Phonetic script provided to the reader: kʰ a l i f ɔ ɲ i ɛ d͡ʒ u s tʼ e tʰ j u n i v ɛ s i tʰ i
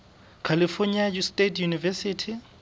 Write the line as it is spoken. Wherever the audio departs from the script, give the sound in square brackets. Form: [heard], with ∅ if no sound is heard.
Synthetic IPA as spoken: kʰ a l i f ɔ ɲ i [a] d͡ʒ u s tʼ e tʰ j u n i v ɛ s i tʰ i